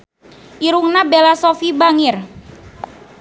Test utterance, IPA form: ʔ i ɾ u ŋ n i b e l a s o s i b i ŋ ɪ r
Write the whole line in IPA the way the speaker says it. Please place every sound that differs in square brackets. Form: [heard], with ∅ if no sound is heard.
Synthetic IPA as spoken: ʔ i ɾ u ŋ n [a] b e l a s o [f] i b [a] ŋ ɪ r